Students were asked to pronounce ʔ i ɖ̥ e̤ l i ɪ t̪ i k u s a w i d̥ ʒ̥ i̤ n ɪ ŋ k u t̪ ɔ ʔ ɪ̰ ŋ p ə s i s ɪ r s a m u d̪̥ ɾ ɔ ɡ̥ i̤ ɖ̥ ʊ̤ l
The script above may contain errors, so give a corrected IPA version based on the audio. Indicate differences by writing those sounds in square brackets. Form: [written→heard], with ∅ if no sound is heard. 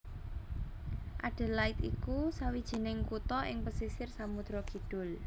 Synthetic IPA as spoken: ʔ [i→a] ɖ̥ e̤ l [i→a] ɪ t̪ i k u s a w i d̥ ʒ̥ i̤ n ɪ ŋ k u t̪ ɔ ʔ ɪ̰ ŋ p ə s i s ɪ r s a m u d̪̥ ɾ ɔ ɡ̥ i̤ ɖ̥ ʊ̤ l